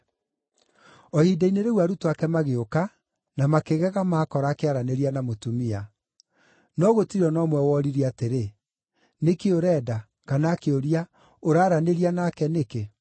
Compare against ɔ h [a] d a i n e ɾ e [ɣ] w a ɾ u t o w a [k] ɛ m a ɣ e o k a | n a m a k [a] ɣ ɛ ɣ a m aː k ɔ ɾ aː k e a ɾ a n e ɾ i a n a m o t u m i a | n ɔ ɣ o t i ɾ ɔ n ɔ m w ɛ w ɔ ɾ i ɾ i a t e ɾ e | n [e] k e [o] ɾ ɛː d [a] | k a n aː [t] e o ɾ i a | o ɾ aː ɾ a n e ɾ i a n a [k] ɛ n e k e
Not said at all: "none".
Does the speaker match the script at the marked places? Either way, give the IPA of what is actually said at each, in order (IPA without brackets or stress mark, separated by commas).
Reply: i, ɣ, k, e, e, o, a, k, k